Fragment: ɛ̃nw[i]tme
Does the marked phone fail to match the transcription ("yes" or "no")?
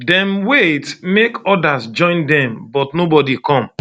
yes